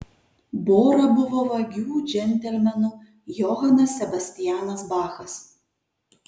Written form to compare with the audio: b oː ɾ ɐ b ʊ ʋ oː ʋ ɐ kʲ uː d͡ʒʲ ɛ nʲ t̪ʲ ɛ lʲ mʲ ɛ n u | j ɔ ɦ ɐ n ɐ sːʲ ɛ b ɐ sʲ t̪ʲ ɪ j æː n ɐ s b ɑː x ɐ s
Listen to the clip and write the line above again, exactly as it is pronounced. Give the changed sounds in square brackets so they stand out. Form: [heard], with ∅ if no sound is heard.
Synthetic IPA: b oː ɾ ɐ b ʊ ʋ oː ʋ ɐ [ɡʲ] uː d͡ʒʲ ɛ nʲ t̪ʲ ɛ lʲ mʲ ɛ n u | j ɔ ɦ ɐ n ɐ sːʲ ɛ b ɐ sʲ t̪ʲ ɪ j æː n ɐ s b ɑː x ɐ s